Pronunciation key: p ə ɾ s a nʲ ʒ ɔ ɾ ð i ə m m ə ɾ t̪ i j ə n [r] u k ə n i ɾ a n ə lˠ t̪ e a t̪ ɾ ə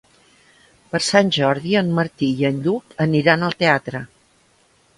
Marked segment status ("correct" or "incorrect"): incorrect